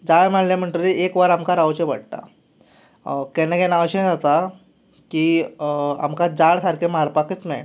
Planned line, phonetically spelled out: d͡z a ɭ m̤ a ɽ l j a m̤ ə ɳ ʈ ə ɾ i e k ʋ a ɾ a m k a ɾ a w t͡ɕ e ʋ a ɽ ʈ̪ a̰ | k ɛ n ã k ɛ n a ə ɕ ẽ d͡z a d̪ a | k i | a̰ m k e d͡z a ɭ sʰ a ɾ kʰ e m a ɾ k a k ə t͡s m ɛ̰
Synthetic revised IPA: d͡z a ɭ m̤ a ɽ l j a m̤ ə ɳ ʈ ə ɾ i e k ʋ a ɾ a m k a ɾ a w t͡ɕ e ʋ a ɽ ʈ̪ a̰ | k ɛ n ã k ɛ n a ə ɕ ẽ d͡z a t̪ a | k i | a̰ m k a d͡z a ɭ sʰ a ɾ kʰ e m a ɾ p a k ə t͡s m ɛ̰

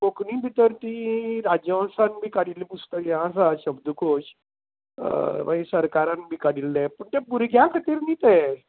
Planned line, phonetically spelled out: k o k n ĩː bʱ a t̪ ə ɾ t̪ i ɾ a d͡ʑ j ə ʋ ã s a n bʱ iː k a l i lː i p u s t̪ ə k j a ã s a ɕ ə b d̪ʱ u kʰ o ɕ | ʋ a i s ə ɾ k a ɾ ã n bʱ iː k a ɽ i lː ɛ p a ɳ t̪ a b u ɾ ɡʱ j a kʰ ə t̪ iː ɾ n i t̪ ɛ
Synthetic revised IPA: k o k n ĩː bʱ i t̪ ə ɾ t̪ i ɾ a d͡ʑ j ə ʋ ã s a n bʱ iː k a ɽ i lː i p u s t̪ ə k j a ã s a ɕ ə b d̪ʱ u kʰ o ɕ | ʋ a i s ə ɾ k a ɾ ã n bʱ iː k a ɽ i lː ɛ p ə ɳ t̪ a b u ɾ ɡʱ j a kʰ ə t̪ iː ɾ n i t̪ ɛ

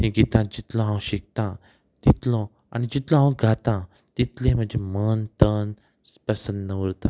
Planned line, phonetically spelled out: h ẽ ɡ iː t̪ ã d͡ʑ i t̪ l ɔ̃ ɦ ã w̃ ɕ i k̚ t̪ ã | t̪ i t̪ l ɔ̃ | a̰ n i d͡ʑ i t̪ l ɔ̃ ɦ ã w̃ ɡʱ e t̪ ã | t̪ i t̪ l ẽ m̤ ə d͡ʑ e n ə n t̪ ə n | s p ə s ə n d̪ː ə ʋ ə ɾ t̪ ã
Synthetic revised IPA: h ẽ ɡ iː t̪ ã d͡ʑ i t̪ l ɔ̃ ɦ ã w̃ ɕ i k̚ t̪ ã | t̪ i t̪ l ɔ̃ | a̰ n i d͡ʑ i t̪ l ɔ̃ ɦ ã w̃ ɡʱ a t̪ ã | t̪ i t̪ l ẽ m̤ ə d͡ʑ e m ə n t̪ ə n | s p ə s ə n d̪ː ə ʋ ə ɾ t̪ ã

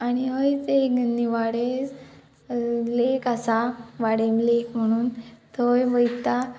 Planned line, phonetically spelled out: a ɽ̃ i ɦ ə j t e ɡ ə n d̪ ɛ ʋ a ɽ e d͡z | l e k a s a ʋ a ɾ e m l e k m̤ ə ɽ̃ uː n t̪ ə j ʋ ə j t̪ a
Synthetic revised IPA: a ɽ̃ i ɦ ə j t e ɡ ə n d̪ i ʋ a ɽ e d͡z | l e k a s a ʋ a ɽ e m l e k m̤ ə ɽ̃ uː n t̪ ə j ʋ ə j t̪ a

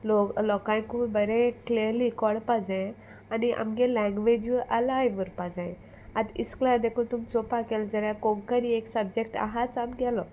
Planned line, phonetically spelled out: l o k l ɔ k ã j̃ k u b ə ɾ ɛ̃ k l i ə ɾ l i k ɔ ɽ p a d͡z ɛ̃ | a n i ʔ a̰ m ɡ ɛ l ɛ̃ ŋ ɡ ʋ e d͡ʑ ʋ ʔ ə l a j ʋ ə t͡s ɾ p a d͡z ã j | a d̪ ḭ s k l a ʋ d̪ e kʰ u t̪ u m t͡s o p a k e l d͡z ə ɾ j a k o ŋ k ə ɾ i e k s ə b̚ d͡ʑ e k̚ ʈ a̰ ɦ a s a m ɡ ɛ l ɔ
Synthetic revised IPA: l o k l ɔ k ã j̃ k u b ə ɾ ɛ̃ k l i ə ɾ l i k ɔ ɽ p a d͡z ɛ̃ | a n i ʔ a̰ m ɡ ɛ l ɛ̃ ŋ ɡ ʋ e d͡ʑ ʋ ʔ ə l a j ʋ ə ɾ p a d͡z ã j | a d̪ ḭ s k l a d̪ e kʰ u t̪ u m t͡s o p a k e l d͡z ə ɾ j a k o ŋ k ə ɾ i e k s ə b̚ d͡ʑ e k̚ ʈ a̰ ɦ a t͡s a m ɡ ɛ l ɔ

